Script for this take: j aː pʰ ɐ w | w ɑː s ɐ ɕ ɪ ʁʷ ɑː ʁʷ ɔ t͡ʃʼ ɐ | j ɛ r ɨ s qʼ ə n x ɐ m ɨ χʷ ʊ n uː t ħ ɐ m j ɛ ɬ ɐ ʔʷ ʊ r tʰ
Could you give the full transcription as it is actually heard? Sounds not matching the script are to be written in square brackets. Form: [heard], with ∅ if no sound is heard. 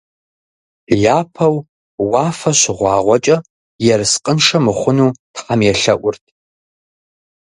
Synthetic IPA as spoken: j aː pʰ ɐ w | w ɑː [f] ɐ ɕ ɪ ʁʷ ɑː ʁʷ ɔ t͡ʃʼ ɐ | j ɛ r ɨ s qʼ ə n [ʂ] ɐ m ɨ χʷ ʊ n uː t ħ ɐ m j ɛ ɬ ɐ ʔʷ ʊ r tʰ